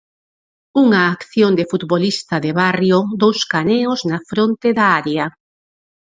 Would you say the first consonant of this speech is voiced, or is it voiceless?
voiced